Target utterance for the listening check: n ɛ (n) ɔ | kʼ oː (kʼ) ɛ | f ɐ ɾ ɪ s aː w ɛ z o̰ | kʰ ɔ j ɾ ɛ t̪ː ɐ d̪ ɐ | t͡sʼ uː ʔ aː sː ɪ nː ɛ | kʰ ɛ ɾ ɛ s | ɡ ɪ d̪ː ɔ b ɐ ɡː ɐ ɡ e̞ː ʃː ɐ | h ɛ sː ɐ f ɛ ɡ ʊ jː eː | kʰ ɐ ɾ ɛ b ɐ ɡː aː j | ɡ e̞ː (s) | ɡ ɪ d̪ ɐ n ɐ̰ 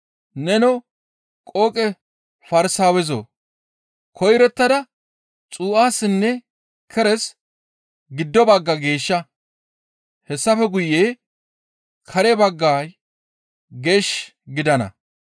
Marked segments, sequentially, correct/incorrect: correct, correct, incorrect: ʃ

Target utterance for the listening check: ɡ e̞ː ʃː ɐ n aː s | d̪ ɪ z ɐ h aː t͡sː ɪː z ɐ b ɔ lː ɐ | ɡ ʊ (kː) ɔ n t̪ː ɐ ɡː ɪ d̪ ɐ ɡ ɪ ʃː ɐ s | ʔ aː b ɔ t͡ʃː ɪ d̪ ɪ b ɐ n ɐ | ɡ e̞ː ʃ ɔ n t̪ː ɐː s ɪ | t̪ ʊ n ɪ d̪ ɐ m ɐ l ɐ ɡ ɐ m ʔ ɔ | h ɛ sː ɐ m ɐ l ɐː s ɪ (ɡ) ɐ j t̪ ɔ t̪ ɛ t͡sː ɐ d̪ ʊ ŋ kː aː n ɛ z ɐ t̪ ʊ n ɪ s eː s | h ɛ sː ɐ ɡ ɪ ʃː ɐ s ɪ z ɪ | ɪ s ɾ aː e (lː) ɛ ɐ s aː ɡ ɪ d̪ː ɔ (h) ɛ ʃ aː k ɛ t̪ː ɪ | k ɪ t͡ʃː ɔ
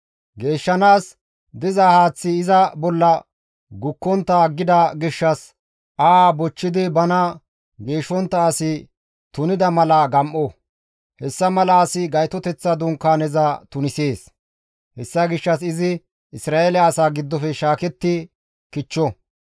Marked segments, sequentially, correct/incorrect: correct, correct, incorrect: l, incorrect: f

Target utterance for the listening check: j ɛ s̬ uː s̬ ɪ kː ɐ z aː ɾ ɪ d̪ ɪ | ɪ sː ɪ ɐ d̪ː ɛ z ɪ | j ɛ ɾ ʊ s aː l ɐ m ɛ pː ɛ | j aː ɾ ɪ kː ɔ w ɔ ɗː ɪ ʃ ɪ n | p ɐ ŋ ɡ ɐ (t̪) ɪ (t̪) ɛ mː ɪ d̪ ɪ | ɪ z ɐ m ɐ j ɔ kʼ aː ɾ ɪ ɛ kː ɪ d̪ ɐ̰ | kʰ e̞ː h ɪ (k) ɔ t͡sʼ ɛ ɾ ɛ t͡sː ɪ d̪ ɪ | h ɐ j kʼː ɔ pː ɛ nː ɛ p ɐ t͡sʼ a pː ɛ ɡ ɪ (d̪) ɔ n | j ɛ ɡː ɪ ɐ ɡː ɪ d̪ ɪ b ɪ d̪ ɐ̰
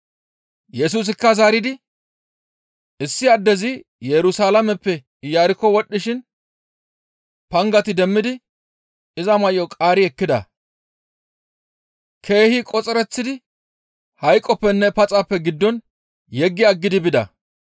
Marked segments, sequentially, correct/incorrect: correct, incorrect: d̪, incorrect: kʼ, incorrect: d̪ː

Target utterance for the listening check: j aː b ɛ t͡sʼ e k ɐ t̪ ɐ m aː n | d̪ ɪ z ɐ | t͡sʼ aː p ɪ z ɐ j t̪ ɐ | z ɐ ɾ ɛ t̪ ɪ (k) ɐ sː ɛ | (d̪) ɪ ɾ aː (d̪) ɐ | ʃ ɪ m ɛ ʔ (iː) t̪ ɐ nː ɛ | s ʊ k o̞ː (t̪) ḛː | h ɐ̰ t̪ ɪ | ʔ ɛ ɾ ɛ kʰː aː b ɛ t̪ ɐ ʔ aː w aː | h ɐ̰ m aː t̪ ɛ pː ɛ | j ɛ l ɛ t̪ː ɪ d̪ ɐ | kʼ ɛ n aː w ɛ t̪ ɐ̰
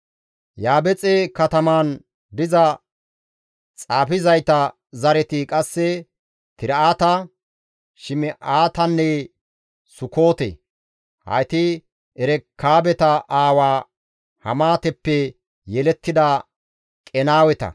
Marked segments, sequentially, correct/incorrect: incorrect: kʼ, incorrect: t̪, incorrect: t̪, incorrect: aː, correct

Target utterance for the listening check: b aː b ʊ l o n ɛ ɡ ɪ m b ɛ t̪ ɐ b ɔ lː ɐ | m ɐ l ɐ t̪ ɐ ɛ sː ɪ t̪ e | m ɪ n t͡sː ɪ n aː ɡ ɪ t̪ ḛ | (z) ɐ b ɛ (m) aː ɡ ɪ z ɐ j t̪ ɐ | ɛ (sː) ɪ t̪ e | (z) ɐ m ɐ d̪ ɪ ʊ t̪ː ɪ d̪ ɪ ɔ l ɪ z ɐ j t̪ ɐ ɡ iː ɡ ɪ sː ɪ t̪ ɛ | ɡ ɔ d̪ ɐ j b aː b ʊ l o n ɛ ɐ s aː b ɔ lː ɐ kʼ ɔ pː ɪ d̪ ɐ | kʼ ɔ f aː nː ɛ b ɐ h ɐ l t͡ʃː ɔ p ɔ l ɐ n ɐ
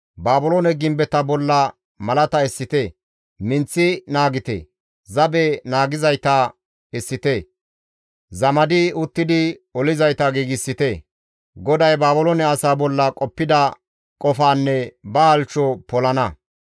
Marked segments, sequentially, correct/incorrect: correct, incorrect: n, correct, correct

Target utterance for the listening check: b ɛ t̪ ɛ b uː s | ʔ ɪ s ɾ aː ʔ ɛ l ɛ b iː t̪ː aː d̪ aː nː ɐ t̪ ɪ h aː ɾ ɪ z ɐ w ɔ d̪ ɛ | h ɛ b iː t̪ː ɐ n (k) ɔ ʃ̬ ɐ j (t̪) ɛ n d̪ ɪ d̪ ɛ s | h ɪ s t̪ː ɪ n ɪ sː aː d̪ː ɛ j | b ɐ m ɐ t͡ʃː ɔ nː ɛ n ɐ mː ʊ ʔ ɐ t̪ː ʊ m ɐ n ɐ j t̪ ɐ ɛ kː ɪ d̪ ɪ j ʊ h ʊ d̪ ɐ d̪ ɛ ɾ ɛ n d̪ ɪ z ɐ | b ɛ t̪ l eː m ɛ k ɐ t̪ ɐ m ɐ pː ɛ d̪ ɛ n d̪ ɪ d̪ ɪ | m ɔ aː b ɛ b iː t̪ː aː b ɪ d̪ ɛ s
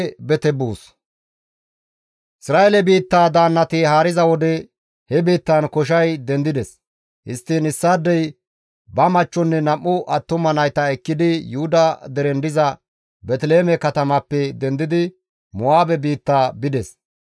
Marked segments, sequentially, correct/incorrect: correct, incorrect: d̪

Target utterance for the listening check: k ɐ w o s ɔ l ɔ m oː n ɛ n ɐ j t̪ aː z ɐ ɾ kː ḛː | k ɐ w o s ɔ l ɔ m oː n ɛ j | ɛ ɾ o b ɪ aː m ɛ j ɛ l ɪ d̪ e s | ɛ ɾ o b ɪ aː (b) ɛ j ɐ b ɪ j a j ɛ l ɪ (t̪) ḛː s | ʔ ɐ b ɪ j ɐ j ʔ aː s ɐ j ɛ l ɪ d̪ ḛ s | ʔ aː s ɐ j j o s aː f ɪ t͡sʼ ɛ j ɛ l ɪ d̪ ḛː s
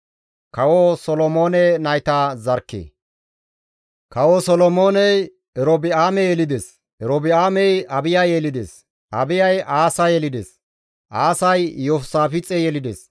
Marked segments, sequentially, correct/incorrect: incorrect: m, incorrect: d̪

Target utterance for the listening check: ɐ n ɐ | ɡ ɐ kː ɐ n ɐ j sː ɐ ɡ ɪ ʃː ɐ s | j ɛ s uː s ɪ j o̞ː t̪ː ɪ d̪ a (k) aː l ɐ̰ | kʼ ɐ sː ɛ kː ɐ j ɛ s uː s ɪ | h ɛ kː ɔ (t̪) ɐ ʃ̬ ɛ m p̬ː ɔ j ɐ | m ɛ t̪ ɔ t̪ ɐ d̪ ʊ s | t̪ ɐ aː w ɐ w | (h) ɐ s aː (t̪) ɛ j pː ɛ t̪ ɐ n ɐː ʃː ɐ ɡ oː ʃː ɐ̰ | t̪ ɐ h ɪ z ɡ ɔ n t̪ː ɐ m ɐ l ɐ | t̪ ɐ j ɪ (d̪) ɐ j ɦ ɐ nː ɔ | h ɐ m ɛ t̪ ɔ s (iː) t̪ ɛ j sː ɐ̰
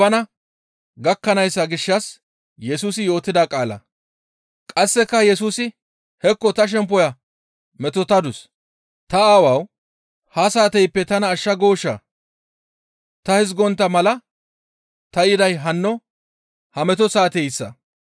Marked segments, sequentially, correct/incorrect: incorrect: kʼ, correct, correct, correct, correct, incorrect: aː

